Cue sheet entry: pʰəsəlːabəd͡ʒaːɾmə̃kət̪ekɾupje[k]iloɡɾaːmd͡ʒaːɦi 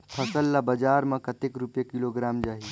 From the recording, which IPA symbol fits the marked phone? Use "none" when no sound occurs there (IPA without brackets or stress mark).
k